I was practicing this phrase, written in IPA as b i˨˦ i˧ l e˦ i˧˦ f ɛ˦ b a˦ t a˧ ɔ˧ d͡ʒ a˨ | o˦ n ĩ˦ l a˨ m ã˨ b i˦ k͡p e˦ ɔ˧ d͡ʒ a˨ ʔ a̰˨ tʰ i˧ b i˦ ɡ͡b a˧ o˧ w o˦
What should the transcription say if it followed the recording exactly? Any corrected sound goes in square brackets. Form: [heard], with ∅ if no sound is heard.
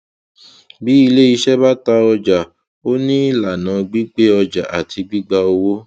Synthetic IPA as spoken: b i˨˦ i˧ l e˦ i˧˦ [ʃ] ɛ˦ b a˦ t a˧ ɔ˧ d͡ʒ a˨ | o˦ n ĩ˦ l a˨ [n] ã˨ [ɡ͡b] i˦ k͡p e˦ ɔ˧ d͡ʒ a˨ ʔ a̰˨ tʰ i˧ [ɡ͡b] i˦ ɡ͡b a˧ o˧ w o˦